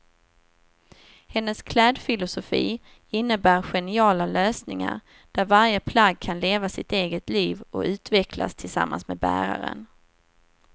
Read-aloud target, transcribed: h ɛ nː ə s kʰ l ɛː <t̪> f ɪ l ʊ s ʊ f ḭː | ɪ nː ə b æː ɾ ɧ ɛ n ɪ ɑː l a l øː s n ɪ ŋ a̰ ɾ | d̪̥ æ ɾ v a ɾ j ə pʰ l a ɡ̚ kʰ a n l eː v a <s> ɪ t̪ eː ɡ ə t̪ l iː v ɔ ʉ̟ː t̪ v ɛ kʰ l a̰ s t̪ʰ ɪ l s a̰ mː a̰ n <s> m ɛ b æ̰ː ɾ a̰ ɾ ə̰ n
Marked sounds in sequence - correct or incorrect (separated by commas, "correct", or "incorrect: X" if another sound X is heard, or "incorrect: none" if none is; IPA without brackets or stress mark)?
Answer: incorrect: d̪, correct, correct